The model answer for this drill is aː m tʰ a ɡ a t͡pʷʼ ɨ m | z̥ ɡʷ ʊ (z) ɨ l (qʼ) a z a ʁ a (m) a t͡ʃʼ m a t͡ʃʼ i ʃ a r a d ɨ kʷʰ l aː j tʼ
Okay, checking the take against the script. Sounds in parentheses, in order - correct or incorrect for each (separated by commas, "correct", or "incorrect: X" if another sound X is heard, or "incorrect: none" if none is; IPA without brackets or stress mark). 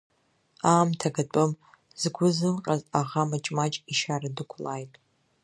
correct, correct, correct